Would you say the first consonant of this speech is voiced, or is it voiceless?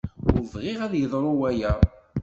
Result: voiced